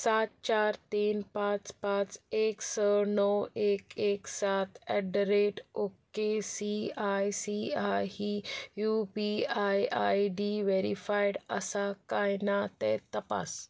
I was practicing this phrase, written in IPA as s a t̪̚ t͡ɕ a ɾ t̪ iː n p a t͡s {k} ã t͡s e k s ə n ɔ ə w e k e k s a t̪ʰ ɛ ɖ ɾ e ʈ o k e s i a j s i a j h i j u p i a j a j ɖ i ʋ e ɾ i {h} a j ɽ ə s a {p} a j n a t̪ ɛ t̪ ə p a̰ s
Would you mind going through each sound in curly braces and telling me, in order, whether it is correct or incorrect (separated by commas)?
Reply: incorrect, incorrect, incorrect